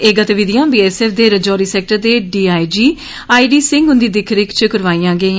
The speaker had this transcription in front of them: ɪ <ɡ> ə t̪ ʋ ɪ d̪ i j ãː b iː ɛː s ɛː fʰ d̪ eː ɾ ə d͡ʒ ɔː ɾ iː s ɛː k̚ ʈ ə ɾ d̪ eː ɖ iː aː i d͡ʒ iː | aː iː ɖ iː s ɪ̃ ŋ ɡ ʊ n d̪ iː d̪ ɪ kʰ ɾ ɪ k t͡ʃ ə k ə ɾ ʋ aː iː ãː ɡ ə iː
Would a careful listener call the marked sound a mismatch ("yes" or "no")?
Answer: no